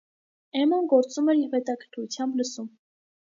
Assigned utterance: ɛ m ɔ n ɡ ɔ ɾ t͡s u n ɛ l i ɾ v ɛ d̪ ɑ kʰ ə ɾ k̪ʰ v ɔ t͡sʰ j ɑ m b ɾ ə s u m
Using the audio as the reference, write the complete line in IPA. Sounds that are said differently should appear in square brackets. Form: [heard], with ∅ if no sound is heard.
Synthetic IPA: ɛ m ɔ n ɡ ɔ ɾ t͡s u [m] ɛ [ɾ] i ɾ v ɛ [t̪] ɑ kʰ ə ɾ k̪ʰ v [u] t͡sʰ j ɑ m b [l] ə s u m